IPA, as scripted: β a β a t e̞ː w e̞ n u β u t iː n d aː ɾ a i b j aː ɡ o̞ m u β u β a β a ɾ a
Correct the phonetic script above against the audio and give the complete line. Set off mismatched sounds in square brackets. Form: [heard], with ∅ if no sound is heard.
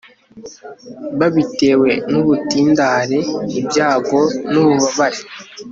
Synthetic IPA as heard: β a β [i] t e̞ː w e̞ n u β u t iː n d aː ɾ [e] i b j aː ɡ o̞ [n] u β u β a β a ɾ [e]

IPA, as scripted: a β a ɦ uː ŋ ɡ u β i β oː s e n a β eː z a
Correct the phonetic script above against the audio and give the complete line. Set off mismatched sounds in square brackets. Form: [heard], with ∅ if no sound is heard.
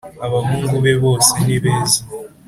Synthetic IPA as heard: a β a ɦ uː ŋ ɡ u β [e] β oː s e n [i] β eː z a

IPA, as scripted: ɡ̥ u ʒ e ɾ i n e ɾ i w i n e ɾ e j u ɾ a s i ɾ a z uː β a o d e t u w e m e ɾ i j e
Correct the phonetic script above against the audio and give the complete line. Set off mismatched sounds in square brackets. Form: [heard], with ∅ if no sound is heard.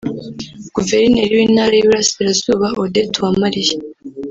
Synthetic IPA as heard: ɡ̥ u [v] e ɾ i n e ɾ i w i n [a] ɾ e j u ɾ a s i ɾ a z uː β a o d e t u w [a] m [a] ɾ i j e

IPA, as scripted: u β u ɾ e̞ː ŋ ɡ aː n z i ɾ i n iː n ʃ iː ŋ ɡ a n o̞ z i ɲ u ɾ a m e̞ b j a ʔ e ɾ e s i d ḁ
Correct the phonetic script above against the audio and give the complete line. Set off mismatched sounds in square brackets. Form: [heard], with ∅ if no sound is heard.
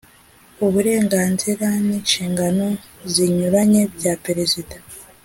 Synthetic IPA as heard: u β u ɾ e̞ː ŋ ɡ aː n z i ɾ [a] n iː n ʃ iː ŋ ɡ a n o̞ z i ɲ u ɾ a [ɲ] e̞ b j a [p] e ɾ e [z] i d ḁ

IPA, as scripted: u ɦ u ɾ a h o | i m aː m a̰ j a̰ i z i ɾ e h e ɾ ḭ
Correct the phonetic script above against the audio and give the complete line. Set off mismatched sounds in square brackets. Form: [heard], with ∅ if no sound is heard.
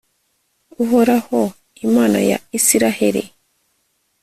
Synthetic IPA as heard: u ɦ [o] ɾ a h o | i m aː [n] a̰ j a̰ i [s] i ɾ [a] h e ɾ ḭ

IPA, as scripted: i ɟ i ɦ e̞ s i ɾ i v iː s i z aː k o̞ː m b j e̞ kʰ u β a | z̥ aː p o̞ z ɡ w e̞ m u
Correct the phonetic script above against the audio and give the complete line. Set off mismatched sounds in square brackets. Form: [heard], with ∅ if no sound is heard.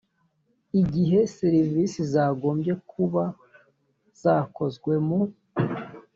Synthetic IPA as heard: i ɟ i ɦ e̞ s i ɾ i v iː s i z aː [ɡ] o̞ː m b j e̞ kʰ u β a | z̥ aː [k] o̞ z ɡ w e̞ m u

